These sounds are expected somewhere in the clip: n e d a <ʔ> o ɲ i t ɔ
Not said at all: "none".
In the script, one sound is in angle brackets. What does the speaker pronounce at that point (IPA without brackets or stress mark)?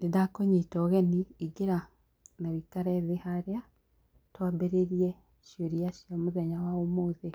k